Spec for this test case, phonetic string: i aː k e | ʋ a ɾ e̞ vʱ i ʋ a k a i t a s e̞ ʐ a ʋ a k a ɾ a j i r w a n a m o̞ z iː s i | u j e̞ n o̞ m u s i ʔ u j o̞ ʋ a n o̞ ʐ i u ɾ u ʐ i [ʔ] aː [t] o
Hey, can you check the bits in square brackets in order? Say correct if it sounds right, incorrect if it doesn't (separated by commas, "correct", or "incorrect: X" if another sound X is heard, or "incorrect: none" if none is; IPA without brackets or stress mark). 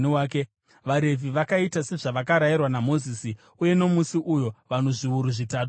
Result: incorrect: t, correct